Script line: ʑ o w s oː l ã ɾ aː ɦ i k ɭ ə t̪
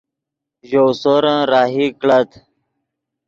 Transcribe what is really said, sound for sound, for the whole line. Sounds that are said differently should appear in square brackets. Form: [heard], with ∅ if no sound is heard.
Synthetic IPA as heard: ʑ o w s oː [ɾ] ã ɾ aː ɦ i k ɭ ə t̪